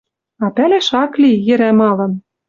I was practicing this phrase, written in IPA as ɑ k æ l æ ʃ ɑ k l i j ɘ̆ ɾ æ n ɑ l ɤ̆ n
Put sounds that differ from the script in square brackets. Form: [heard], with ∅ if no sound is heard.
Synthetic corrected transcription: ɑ [p] æ l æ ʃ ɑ k l i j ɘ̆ ɾ æ [m] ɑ l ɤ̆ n